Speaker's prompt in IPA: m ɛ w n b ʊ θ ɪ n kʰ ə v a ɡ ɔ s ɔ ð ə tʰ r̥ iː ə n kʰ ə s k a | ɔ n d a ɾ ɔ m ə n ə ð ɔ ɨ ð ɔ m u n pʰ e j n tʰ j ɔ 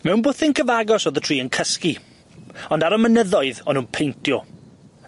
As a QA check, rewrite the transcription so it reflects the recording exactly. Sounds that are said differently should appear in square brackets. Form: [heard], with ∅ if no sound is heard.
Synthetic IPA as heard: m ɛ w n b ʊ θ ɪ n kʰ ə v a ɡ ɔ s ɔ ð ə tʰ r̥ iː ə n kʰ ə s k [i] | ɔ n d a ɾ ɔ m ə n ə ð ɔ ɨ ð ɔ [n] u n pʰ e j n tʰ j ɔ